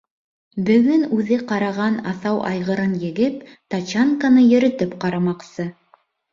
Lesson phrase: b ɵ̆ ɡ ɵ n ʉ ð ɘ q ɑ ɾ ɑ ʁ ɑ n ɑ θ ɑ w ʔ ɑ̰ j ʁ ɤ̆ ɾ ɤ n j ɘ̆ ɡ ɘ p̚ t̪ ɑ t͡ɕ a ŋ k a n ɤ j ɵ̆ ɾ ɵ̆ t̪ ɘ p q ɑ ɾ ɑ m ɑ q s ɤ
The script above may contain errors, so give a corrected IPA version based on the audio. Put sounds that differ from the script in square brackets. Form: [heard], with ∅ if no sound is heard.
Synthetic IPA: b ɵ̆ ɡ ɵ n ʉ ð ɘ q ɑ ɾ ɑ ʁ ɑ n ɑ θ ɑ w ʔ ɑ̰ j ʁ ɤ̆ ɾ ɤ n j ɘ̆ ɡ ɘ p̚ t̪ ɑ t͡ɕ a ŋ k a n ɤ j ɵ̆ ɾ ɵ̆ t̪ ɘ p q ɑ ɾ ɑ m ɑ q s ɤ